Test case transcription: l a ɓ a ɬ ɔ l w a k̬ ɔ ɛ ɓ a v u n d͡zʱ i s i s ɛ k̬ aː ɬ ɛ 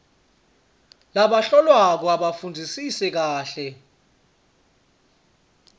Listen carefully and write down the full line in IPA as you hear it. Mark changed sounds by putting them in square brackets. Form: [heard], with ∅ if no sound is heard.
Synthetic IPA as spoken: l a ɓ a ɬ ɔ l w a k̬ ɔ [a] ɓ a [f] u n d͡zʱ i s i s ɛ k̬ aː ɬ ɛ